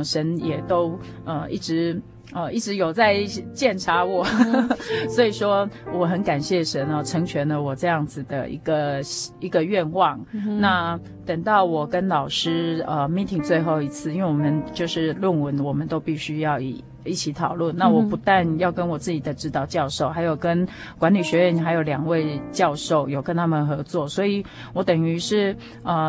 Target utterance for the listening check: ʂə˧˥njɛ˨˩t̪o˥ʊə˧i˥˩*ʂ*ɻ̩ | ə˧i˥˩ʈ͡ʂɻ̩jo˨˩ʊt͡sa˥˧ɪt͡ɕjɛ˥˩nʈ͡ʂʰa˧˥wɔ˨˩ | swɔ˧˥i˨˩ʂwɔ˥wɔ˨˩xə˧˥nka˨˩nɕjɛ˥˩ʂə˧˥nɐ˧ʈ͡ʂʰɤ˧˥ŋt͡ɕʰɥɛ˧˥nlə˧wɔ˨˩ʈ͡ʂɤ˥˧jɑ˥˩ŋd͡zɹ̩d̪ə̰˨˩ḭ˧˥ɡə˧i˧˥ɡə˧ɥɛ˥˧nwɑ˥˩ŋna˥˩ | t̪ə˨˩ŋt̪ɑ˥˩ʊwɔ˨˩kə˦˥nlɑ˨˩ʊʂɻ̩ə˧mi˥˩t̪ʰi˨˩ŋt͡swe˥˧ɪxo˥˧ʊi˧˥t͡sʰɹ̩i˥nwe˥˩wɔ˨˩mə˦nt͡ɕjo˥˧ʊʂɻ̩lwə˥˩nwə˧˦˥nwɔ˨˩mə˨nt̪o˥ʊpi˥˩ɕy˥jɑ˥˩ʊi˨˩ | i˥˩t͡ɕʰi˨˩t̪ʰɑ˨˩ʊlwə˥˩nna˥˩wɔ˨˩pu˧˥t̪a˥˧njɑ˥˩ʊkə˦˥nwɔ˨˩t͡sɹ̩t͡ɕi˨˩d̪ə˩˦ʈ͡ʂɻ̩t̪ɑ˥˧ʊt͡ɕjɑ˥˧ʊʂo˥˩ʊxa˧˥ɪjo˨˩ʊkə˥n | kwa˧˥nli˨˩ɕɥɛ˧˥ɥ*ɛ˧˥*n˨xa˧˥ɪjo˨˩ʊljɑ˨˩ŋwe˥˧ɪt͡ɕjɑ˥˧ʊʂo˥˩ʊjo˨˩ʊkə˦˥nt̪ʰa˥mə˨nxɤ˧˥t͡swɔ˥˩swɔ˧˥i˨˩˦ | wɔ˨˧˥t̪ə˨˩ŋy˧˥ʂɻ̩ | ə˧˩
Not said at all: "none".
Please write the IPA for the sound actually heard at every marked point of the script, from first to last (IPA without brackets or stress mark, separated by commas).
ʈ͡ʂ, ɛ˥˩